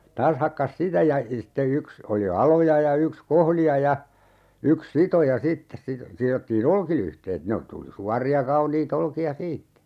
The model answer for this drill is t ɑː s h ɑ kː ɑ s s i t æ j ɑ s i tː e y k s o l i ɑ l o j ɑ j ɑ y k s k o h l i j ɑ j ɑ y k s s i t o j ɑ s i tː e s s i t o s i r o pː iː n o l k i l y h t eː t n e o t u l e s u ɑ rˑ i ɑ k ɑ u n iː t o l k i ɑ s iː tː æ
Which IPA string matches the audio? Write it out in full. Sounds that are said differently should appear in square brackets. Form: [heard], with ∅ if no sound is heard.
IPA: t ɑː s h ɑ kː ɑ s s i t æ j ɑ s i tː e y k s o l i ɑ l o j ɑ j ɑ y k s k o h l i j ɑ j ɑ y k s s i t o j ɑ s i tː e s s i t o s i r o [tː] iː n o l k i l y h t eː t n e o t u l [i] s u ɑ rˑ i ɑ k ɑ u n iː t o l k i ɑ s iː tː æ